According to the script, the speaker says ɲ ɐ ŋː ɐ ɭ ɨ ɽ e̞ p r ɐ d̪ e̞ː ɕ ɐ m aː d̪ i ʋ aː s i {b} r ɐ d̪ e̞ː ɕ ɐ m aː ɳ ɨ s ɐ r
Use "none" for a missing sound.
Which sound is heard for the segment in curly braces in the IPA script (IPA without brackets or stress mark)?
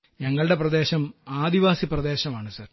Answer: p